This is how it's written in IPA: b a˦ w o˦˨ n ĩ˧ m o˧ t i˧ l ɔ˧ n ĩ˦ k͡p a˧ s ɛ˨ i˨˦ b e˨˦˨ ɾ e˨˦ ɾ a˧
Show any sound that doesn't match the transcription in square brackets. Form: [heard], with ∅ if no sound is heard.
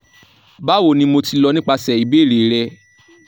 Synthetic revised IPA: b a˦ w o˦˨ n ĩ˧ m o˧ t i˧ l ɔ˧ n ĩ˦ k͡p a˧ s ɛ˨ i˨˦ b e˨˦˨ ɾ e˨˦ ɾ [ɛ˧]